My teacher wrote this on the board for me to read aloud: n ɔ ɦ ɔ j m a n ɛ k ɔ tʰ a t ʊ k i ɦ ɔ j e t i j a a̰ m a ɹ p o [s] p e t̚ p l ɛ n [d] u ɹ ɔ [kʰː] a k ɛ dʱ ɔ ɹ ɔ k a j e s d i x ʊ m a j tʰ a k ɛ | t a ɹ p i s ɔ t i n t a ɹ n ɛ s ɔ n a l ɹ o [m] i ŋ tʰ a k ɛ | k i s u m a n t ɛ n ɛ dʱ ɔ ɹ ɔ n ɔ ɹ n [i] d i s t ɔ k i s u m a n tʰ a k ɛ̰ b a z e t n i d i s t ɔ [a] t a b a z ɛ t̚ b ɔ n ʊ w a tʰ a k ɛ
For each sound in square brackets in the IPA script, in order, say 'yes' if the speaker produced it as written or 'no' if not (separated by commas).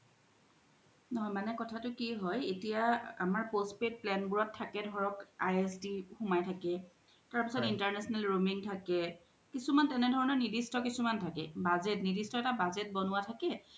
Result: yes, no, no, yes, yes, no